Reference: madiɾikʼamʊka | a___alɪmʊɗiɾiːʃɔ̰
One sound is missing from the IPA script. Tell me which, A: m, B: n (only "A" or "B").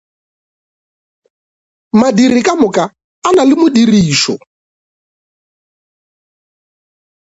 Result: B